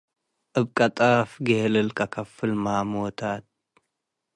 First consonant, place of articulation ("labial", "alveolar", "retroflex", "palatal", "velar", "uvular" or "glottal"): glottal